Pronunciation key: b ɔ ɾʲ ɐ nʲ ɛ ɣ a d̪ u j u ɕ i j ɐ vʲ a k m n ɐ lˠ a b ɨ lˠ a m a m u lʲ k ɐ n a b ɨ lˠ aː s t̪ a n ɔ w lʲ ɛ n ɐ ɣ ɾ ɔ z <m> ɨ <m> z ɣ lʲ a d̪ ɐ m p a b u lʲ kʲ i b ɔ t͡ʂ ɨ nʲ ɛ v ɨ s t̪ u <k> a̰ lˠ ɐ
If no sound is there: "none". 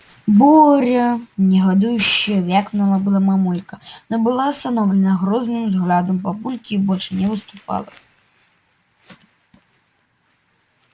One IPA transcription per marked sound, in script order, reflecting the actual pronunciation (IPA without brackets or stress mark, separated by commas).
n, m, p